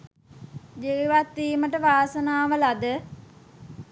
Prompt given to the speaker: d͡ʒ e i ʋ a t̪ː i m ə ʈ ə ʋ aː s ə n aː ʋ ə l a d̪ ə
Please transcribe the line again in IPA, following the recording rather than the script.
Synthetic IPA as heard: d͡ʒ e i ʋ a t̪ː iː m ə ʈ ə ʋ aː s ə n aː ʋ ə l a d̪ ə